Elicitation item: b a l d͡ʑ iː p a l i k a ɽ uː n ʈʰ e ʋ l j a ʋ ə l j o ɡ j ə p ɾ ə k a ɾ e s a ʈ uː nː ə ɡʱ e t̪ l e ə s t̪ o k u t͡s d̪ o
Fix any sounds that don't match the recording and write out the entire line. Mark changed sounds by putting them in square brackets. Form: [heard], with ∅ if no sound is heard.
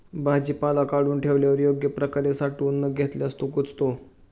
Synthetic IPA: b a [∅] d͡ʑ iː p a l [a] k a ɽ uː n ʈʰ e ʋ l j a ʋ ə [ɾ] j o ɡ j ə p ɾ ə k a ɾ e s a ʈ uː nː ə ɡʱ e t̪ l e ə s t̪ o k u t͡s [t̪] o